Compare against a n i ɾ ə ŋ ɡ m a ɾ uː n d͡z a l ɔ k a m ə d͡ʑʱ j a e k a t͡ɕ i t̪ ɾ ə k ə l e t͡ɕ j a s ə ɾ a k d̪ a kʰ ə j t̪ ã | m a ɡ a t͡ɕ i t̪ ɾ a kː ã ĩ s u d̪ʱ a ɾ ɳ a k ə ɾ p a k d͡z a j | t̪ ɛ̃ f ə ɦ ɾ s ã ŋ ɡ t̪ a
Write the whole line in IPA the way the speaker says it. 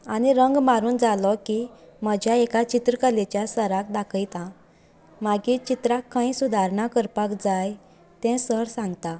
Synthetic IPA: a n i ɾ ə ŋ ɡ m a ɾ uː n d͡z a l ɔ k i m ə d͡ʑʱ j a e k a t͡ɕ i t̪ ɾ ə k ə l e t͡ɕ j a s ə ɾ a k d̪ a kʰ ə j t̪ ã | m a ɡ i t͡ɕ i t̪ ɾ a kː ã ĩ s u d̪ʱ a ɾ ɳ a k ə ɾ p a k d͡z a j | t̪ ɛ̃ s ə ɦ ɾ s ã ŋ ɡ t̪ a